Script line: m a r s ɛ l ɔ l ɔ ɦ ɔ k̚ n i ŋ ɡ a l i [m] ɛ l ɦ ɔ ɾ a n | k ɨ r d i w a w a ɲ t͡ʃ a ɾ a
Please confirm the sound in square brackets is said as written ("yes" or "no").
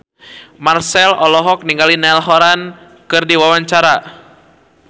no